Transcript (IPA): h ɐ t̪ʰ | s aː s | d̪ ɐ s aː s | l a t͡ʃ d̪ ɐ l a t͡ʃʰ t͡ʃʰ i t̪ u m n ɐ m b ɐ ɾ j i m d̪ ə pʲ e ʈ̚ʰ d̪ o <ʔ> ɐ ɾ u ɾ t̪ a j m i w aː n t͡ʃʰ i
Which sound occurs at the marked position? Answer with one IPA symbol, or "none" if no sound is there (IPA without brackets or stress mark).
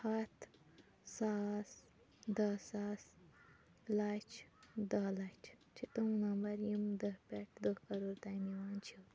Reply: k